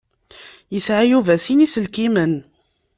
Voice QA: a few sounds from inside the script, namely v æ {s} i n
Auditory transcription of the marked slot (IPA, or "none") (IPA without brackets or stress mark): s